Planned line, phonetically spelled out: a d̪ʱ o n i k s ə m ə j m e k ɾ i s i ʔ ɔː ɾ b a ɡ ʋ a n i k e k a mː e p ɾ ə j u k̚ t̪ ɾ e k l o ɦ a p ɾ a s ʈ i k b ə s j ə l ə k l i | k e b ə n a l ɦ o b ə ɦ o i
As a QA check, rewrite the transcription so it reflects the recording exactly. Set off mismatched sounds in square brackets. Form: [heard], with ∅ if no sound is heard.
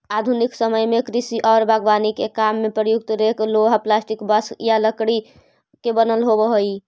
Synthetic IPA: a d̪ʱ [u] n i k s ə m ə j m e k ɾ i s i ʔ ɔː ɾ b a ɡ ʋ a n i k e k a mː e p ɾ ə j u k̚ t̪ ɾ e k l o ɦ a p [l] a s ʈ i k b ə s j [a] l ə k [ɽ] i | k e b ə n [ə] l ɦ o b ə ɦ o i